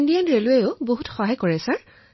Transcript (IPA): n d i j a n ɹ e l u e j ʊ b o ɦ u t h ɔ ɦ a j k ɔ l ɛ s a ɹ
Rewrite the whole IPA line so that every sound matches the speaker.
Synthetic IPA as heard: n d i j a n ɹ e l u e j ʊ b o ɦ u t x ɔ ɦ a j k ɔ ɹ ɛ s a ɹ